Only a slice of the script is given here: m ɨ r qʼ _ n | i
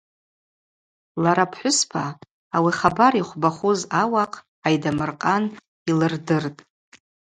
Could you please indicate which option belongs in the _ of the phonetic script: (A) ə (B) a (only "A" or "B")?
B